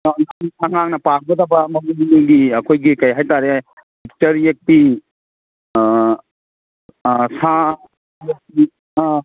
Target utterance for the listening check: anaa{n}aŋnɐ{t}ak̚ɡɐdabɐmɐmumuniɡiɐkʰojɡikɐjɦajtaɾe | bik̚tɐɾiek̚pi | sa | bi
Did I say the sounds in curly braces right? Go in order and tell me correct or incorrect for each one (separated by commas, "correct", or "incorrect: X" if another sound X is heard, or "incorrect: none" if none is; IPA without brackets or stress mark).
incorrect: ŋ, incorrect: p